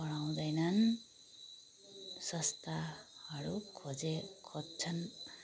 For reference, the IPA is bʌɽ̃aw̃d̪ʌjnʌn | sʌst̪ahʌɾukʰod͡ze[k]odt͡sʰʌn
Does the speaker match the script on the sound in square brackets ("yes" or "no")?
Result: no